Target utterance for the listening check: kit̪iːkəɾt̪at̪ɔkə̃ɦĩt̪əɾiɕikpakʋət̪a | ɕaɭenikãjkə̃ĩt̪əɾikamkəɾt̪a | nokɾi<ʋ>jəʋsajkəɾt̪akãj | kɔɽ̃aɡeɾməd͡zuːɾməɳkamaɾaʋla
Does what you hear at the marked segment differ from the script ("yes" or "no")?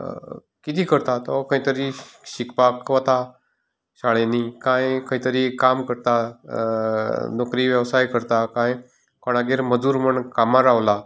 no